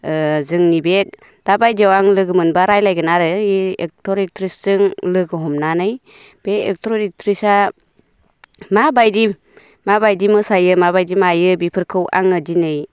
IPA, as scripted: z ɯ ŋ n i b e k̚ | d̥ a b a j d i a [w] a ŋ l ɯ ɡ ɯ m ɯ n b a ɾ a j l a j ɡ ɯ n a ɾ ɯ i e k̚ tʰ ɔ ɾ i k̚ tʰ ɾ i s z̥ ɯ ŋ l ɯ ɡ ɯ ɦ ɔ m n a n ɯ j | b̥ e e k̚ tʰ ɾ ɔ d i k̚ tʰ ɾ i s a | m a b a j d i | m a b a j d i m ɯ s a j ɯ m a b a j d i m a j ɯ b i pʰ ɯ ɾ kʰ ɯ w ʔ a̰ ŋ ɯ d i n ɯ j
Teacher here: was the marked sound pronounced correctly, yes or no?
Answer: yes